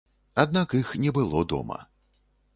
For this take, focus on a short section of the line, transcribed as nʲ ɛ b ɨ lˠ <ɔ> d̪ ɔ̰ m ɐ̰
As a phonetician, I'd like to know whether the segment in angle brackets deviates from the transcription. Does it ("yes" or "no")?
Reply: no